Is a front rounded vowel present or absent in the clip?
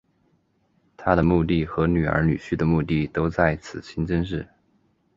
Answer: present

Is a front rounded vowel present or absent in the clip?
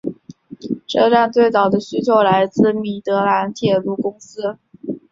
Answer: present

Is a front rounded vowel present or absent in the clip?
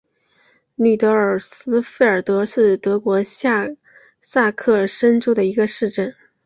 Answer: present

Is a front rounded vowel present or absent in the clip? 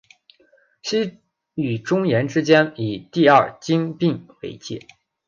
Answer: present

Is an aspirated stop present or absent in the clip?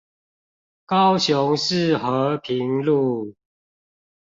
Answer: present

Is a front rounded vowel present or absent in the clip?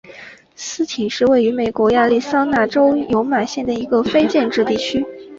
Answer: present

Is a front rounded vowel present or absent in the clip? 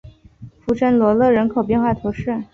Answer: absent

